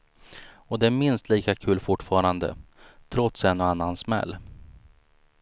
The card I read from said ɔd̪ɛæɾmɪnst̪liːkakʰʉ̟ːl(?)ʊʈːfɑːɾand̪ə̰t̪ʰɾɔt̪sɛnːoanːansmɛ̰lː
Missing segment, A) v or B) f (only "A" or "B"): B